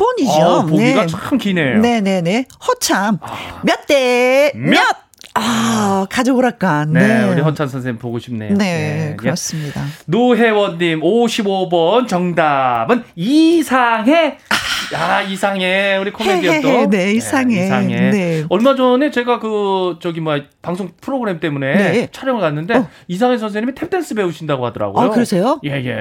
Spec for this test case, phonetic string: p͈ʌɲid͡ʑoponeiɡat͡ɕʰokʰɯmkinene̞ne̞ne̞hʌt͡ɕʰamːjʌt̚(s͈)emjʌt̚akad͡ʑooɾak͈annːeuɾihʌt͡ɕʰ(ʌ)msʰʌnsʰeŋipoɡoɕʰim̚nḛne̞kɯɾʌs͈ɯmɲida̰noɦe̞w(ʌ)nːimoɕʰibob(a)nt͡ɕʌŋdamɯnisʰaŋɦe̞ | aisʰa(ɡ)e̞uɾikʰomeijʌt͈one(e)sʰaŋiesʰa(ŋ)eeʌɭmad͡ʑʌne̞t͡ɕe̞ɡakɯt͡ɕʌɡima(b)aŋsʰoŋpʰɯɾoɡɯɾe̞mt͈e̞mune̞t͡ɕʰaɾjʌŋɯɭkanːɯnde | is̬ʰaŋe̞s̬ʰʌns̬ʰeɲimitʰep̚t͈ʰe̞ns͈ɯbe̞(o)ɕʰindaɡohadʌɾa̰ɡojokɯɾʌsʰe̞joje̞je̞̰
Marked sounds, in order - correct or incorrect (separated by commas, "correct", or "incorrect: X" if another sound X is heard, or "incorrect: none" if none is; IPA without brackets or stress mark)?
incorrect: t͈, incorrect: a, correct, incorrect: ʌ, incorrect: ŋ, incorrect: i, correct, incorrect: p, incorrect: u